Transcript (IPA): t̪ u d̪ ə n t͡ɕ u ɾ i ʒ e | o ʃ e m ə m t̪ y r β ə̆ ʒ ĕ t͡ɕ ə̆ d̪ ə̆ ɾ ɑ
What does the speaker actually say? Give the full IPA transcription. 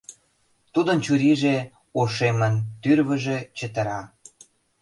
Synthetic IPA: t̪ u d̪ ə n t͡ɕ u ɾ i ʒ e | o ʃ e m ə n t̪ y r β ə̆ ʒ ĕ t͡ɕ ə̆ t̪ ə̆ ɾ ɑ